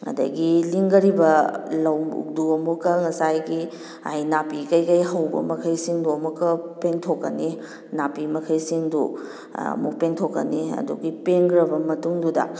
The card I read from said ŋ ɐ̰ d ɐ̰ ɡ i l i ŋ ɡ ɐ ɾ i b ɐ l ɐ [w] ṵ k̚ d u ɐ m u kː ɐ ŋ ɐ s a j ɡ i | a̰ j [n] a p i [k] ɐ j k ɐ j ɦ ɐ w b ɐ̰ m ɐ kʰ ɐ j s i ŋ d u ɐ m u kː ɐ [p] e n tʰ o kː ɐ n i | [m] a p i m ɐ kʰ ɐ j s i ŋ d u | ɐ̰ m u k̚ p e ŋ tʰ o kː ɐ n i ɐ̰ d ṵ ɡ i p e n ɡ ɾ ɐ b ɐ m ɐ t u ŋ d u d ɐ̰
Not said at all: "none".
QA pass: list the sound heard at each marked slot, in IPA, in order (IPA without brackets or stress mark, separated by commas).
w, n, k, p, n